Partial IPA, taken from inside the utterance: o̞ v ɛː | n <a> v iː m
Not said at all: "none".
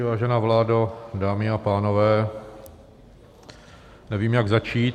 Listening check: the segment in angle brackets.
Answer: ɛ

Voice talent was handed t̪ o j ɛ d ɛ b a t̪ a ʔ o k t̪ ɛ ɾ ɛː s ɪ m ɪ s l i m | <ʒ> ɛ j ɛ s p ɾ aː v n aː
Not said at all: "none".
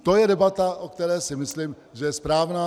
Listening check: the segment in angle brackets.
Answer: ʒ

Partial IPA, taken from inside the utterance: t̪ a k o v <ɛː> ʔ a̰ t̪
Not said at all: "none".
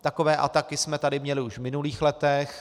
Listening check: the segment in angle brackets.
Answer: ɛː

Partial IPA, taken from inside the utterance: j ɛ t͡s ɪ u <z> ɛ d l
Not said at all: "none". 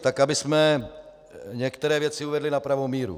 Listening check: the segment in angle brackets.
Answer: v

